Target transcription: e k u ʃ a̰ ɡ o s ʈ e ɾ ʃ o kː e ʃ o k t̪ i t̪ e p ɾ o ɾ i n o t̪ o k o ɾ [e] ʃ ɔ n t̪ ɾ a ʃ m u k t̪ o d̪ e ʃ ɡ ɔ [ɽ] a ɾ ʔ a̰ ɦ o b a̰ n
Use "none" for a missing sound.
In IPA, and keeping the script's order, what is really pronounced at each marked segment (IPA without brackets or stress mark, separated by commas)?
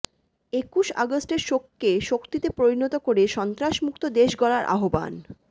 e, l